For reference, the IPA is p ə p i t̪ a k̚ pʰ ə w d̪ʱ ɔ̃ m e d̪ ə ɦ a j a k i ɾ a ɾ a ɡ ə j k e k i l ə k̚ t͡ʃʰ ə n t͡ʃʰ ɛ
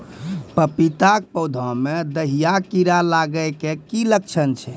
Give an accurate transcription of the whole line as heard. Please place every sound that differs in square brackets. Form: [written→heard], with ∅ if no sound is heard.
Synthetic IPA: p ə p i t̪ a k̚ [pʰ→p] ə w d̪ʱ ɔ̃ m e d̪ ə ɦ [a→i] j a k i ɾ a [ɾ→l] a ɡ ə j k e k i l ə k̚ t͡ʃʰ ə n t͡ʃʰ ɛ